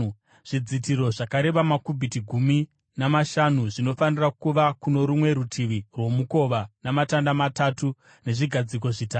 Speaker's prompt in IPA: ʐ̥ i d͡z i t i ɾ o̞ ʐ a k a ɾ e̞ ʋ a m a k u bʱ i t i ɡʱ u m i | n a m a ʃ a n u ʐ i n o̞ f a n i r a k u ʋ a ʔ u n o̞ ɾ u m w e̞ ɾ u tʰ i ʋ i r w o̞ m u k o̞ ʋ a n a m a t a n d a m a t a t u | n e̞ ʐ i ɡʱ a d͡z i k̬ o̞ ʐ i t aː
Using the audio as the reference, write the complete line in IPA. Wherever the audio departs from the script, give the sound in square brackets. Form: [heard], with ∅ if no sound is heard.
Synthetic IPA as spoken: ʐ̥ i d͡z i t i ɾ o̞ ʐ a k a ɾ e̞ ʋ a m a k u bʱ i t i ɡʱ u m i | n a m a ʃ a n u ʐ i n o̞ f a n i r a k u ʋ a [k] u n o̞ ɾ u m w e̞ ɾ u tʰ i ʋ i r w o̞ m u k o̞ ʋ a n a m a t a n d a m a t a t u | n e̞ ʐ i ɡʱ a d͡z i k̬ o̞ ʐ i t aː